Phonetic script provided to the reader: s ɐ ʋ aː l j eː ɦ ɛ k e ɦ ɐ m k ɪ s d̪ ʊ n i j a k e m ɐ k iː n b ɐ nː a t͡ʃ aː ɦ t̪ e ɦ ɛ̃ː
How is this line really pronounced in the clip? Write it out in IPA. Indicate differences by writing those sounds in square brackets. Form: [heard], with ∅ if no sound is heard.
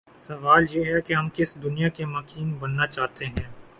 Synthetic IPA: s ɐ ʋ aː l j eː ɦ ɛ k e ɦ ɐ m k ɪ s d̪ ʊ n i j a k e m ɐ k iː n b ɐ nː a t͡ʃ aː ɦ t̪ e ɦ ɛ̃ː